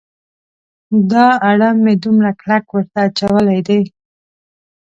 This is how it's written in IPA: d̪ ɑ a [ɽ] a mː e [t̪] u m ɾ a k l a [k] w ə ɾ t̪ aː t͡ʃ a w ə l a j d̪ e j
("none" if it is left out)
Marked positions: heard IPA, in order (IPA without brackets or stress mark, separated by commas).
ɽ, d̪, k